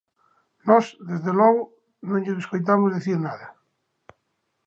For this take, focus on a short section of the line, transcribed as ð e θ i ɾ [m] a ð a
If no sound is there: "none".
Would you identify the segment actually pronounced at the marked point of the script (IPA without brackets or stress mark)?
n